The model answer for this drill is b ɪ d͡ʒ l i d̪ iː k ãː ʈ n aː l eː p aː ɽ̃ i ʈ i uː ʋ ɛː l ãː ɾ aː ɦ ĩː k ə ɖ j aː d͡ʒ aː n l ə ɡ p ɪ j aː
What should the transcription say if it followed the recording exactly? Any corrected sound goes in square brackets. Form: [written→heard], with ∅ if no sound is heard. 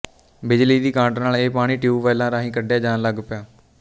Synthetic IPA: b ɪ d͡ʒ l [i→iː] d̪ iː k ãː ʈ n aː l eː p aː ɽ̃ [i→iː] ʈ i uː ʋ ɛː l ãː ɾ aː ɦ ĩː k ə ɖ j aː d͡ʒ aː n l ə ɡ p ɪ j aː